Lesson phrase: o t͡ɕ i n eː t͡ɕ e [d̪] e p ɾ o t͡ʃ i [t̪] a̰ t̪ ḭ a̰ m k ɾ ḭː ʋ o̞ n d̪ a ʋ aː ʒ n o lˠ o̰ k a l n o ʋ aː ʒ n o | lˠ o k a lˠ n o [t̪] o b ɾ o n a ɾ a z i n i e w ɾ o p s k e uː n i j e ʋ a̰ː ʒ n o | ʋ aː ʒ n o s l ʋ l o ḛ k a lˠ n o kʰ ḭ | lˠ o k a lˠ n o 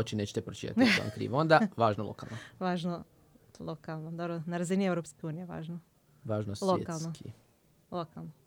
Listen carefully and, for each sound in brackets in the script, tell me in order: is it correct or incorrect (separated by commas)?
incorrect, correct, incorrect